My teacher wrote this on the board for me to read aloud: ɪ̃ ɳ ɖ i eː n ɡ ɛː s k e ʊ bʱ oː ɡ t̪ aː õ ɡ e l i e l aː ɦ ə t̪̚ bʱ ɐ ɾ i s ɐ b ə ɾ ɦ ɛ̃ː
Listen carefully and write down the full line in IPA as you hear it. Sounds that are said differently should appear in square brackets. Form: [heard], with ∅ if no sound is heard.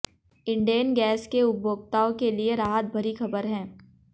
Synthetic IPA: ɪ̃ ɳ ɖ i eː n ɡ ɛː s k e ʊ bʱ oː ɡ t̪ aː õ [k] e l i e [ɾ] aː ɦ ə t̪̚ bʱ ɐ ɾ i [x] ɐ b ə ɾ ɦ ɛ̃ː